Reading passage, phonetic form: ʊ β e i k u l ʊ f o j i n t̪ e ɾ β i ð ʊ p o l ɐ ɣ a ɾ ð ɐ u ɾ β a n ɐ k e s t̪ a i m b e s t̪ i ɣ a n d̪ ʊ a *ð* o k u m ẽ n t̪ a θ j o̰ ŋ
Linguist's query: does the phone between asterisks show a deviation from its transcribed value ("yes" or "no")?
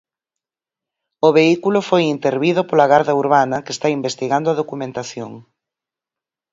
no